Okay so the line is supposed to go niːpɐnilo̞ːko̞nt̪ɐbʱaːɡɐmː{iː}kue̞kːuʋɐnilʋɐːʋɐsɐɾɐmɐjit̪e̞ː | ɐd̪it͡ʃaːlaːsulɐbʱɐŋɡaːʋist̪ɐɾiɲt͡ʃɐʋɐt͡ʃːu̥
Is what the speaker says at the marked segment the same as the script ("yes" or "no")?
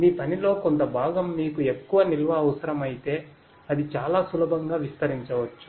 yes